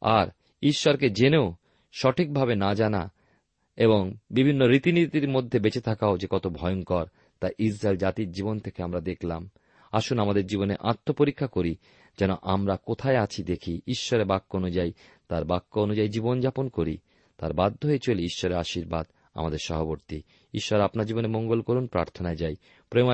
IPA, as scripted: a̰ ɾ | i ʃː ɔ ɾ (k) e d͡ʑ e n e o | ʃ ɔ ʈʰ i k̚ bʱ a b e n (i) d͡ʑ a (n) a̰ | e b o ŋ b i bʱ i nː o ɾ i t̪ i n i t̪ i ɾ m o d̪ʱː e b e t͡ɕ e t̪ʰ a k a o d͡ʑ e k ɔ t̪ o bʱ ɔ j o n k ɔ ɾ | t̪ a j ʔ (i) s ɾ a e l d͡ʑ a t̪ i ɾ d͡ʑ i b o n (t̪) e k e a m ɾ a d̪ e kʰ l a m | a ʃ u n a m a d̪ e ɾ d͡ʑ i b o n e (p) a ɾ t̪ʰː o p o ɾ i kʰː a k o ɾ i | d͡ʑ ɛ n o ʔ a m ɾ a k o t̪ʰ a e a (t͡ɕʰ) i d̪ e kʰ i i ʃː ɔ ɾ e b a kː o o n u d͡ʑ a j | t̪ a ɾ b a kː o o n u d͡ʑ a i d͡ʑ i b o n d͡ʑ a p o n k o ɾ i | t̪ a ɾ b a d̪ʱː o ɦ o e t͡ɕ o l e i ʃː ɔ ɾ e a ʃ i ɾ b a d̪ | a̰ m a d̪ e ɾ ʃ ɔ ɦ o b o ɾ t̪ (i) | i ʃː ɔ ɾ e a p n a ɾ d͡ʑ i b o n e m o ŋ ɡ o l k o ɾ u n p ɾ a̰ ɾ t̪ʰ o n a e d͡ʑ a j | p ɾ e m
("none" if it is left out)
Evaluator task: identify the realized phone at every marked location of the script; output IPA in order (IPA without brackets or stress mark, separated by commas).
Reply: k, a, n, i, t̪ʰ, ʔ, t͡ɕʰ, i